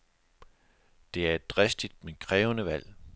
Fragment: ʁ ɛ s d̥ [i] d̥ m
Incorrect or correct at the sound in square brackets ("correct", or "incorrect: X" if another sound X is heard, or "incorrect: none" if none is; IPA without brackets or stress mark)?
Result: correct